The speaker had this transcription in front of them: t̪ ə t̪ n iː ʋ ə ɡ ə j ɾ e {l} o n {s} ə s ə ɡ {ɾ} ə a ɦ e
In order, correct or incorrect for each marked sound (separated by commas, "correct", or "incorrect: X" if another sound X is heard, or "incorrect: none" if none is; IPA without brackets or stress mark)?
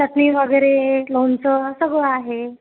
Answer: correct, incorrect: t͡s, incorrect: ɭ